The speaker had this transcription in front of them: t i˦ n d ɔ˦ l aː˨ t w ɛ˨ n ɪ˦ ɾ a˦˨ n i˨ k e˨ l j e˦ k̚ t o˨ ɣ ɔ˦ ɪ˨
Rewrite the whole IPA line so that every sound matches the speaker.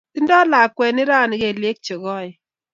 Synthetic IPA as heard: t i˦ n d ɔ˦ l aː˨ k w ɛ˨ n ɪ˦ ɾ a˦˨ n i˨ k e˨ l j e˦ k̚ t͡ʃ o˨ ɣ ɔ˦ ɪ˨